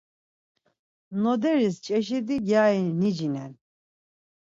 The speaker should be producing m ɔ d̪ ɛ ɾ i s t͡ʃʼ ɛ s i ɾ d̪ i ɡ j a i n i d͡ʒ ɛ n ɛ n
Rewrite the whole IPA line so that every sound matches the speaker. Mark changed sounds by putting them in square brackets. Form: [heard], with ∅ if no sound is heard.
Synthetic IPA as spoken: [n] ɔ d̪ ɛ ɾ i s t͡ʃʼ ɛ [ʃ] i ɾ d̪ i ɡ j a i n i d͡ʒ [i] n ɛ n